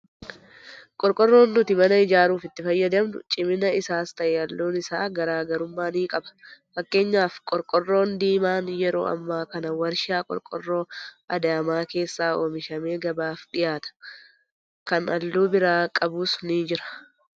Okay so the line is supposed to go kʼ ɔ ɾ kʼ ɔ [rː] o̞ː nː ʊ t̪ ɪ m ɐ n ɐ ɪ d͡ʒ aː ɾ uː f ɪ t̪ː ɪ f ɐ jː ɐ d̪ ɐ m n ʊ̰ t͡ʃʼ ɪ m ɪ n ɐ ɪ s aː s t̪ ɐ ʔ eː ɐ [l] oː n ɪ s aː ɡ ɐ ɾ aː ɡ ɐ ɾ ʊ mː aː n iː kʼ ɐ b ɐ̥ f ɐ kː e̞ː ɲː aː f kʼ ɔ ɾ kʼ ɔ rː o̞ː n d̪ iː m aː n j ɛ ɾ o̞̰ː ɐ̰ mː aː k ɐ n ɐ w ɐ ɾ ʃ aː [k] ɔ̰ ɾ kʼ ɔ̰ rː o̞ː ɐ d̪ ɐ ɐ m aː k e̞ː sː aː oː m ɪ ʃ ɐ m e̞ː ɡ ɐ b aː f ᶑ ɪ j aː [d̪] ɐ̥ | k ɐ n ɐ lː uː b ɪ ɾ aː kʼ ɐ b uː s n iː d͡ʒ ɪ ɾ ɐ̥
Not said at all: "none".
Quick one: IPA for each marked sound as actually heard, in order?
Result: rː, lː, kʼ, t̪

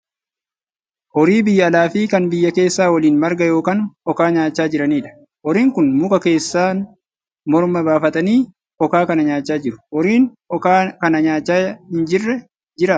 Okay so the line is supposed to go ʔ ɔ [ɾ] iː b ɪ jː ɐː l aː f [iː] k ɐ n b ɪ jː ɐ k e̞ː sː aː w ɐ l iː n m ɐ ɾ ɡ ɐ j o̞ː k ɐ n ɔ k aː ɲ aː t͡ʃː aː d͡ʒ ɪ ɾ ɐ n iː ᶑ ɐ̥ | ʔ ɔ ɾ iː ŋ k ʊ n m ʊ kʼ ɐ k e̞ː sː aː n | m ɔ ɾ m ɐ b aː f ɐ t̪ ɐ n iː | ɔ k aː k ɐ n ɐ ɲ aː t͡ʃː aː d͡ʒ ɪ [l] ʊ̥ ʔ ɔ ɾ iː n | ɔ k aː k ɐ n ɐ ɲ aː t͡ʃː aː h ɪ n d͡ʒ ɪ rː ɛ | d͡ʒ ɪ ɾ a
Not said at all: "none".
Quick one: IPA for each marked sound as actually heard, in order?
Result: ɾ, iː, ɾ

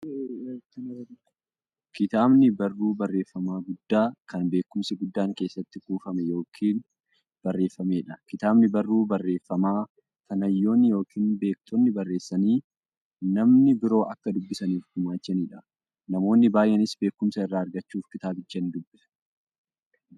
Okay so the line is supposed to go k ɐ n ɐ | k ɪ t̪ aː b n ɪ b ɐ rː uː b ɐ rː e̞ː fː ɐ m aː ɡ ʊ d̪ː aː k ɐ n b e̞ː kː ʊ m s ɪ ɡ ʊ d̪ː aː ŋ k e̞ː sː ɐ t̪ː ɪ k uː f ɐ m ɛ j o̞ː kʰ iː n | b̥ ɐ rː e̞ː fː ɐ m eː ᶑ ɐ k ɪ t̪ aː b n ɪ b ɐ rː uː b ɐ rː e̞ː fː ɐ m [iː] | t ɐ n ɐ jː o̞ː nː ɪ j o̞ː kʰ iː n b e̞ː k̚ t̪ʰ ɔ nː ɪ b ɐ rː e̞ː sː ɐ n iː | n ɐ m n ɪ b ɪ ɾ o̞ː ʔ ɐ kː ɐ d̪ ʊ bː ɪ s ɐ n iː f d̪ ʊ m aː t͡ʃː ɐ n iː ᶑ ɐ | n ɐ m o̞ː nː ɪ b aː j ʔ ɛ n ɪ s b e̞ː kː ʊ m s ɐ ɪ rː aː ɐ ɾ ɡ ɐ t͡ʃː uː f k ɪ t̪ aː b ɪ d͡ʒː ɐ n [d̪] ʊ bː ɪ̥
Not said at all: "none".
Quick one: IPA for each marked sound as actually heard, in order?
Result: aː, d̪

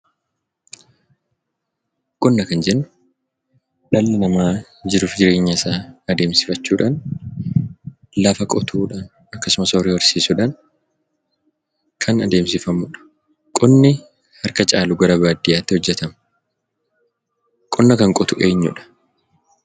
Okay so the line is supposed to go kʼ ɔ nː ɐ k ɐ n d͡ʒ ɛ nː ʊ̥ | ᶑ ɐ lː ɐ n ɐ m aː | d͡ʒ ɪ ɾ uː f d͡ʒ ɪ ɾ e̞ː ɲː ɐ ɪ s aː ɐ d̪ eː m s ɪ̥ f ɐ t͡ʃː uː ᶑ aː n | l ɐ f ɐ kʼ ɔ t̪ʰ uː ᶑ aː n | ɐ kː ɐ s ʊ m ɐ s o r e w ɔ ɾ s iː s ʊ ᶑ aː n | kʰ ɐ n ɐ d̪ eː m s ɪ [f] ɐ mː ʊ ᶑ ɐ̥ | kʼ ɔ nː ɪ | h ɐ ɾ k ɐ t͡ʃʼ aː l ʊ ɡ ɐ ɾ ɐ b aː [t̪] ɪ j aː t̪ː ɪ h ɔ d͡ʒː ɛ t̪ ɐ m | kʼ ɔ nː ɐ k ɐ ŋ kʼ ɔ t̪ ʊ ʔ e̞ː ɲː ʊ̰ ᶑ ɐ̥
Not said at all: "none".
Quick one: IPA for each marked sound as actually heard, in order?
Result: f, d̪

